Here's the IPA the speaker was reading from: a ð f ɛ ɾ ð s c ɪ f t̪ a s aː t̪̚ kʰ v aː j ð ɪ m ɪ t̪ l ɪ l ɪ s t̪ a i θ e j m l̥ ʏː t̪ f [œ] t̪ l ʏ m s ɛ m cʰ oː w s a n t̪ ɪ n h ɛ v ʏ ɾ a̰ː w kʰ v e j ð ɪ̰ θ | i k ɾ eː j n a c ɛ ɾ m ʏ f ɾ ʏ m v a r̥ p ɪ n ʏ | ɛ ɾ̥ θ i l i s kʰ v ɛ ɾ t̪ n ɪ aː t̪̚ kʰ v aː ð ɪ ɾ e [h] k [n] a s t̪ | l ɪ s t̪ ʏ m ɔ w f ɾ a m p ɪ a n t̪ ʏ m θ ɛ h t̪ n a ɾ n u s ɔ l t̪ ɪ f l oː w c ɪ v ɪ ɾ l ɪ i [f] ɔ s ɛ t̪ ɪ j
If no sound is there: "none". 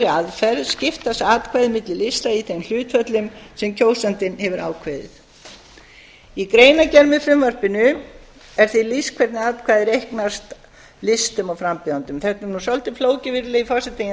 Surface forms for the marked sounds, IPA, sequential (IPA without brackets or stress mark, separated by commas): œ, h, n, f